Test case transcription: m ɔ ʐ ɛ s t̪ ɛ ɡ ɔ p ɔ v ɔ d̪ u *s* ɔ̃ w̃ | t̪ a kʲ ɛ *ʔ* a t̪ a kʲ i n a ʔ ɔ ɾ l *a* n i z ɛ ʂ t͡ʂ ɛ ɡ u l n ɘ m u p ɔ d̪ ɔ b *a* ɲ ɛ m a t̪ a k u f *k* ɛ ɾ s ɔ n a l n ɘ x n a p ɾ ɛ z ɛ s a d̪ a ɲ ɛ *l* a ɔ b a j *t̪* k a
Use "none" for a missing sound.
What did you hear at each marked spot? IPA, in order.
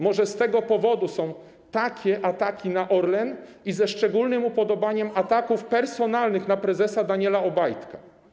s, ʔ, ɛ, a, p, l, t̪

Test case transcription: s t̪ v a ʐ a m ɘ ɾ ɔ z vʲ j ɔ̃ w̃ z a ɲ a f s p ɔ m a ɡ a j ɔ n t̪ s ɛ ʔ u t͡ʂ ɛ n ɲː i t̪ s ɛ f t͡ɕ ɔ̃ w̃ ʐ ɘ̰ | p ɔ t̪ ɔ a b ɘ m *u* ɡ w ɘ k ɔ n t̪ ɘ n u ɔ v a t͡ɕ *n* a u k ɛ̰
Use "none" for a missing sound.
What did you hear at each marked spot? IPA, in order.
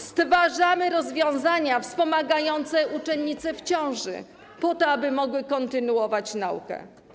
ɔ, n

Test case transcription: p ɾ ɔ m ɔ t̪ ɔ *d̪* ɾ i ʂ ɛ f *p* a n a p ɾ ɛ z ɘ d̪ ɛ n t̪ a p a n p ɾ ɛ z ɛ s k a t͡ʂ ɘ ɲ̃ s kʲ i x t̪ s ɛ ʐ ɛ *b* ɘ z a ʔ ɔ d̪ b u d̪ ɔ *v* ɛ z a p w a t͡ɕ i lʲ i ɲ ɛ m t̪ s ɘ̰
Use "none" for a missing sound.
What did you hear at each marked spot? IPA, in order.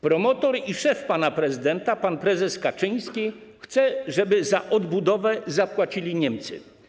none, p, b, v

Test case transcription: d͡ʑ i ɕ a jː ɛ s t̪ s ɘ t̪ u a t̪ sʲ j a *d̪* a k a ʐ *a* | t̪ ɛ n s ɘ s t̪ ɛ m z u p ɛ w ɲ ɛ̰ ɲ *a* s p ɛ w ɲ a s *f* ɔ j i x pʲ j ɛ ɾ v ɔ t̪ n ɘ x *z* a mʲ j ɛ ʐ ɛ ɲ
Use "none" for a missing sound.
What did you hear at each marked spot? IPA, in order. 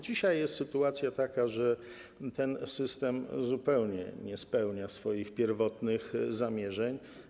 t̪, ɛ, ɛ, f, z

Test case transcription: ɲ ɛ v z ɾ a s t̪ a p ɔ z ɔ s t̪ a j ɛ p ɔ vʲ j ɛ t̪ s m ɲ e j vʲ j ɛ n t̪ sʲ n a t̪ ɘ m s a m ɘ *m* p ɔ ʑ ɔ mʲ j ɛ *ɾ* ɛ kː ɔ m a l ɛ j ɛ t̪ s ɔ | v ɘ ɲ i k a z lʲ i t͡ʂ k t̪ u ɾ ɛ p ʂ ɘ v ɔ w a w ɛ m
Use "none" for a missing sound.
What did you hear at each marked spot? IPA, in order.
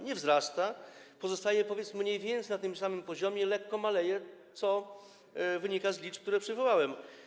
m, l

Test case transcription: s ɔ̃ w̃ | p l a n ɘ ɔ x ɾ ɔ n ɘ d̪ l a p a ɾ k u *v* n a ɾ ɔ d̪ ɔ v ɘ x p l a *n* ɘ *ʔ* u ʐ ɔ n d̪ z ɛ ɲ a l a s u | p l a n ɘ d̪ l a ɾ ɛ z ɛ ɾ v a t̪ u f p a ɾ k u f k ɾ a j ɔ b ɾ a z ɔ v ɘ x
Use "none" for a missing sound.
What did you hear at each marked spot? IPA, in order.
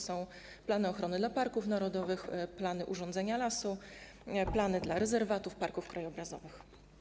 f, n, ʔ

